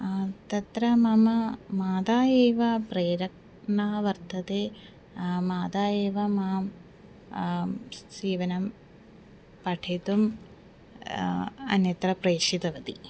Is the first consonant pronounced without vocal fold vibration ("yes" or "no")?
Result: yes